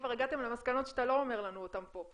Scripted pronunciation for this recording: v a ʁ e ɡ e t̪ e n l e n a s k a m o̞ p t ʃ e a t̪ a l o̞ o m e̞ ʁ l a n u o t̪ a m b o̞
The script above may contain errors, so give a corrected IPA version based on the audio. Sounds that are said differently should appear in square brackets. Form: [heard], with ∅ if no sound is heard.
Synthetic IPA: v a ʁ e ɡ [a] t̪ e [m] l e [m] a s k a [n] o̞ [∅] t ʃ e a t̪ a l o̞ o m e̞ ʁ l a n u o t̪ a m [p] o̞